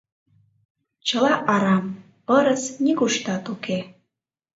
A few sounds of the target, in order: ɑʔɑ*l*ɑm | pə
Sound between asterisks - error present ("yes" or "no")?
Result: yes